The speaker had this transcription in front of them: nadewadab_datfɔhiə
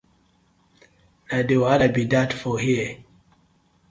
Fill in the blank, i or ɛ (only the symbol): i